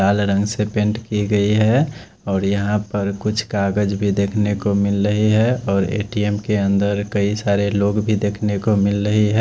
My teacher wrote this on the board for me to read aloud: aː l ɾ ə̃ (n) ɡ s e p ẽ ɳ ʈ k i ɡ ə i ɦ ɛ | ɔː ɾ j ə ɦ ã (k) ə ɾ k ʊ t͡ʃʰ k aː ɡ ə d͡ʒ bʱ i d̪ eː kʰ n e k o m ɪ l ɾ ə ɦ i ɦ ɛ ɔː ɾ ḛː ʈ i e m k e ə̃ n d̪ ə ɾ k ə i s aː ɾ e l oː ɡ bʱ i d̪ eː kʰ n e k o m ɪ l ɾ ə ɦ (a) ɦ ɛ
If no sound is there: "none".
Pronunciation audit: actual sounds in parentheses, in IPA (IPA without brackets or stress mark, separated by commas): ŋ, p, i